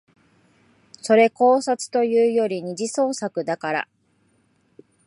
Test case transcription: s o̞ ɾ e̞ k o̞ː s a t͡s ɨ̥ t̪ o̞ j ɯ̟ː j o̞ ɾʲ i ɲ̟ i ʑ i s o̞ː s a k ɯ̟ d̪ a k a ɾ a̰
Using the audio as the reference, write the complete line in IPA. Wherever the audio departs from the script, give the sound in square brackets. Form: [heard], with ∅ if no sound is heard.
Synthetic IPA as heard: s o̞ ɾ e̞ k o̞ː s a t͡s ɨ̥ t̪ o̞ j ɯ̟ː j o̞ ɾʲ i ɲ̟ i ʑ i s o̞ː s a k ɯ̟ d̪ a k a ɾ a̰